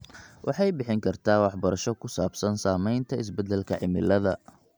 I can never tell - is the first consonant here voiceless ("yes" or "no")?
no